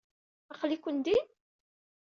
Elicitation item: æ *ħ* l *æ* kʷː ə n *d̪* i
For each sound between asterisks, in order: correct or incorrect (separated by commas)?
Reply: incorrect, incorrect, correct